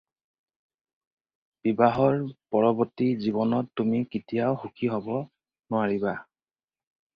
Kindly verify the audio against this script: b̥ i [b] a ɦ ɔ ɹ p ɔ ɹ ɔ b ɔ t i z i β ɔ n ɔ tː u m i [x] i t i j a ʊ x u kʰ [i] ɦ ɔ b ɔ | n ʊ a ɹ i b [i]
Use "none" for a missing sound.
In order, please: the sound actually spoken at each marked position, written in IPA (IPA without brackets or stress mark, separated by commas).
b, k, i, a